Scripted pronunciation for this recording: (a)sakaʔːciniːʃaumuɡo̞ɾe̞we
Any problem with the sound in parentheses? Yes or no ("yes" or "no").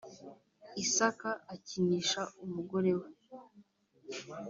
yes